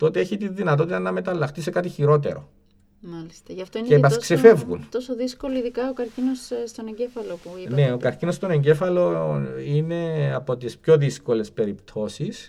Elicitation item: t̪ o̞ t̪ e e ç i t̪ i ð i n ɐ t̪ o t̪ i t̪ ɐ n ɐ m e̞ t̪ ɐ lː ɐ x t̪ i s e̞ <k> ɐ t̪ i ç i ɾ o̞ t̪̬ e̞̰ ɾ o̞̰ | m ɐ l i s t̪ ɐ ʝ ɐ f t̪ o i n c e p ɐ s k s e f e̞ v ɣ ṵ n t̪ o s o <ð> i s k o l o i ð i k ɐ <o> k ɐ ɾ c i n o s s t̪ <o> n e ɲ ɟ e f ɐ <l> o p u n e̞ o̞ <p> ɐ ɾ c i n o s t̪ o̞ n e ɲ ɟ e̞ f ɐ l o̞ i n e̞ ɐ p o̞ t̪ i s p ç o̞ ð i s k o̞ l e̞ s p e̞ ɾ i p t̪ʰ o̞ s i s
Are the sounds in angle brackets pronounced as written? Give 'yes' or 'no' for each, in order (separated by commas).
yes, yes, yes, yes, yes, no